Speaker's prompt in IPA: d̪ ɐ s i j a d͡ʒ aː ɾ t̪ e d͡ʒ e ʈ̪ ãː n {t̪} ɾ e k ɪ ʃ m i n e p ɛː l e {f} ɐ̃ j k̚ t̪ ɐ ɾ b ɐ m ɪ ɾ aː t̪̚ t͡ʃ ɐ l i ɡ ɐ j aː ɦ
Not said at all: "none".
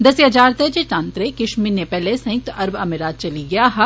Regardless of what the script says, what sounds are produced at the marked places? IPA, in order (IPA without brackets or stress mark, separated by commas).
t̪, s